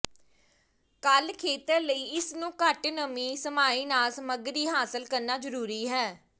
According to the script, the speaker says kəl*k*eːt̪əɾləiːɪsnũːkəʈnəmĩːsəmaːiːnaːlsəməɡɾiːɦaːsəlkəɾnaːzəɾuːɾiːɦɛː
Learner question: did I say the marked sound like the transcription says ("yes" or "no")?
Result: no